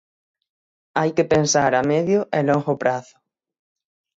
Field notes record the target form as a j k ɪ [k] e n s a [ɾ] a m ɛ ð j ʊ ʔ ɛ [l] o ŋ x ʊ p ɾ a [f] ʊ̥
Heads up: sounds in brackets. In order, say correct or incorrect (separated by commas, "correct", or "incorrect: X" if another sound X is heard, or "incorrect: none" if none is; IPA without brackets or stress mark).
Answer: incorrect: p, correct, correct, incorrect: θ